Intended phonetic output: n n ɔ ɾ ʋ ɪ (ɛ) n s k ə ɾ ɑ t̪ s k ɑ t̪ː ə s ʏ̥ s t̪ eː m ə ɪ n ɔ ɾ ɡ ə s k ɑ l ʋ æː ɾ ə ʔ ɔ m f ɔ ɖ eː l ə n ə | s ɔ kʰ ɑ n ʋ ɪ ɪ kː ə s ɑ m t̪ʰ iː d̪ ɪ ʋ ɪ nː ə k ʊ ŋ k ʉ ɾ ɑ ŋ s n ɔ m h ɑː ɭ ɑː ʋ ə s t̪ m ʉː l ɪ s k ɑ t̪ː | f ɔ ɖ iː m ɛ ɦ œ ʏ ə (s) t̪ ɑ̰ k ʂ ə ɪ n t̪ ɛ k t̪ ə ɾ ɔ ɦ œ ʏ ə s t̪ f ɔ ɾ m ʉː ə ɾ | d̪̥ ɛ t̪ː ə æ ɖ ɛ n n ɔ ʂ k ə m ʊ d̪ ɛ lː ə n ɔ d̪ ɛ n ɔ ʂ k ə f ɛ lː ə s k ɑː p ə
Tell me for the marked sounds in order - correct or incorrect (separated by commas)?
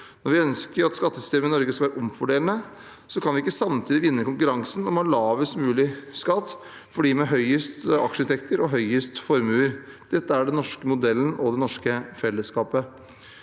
incorrect, correct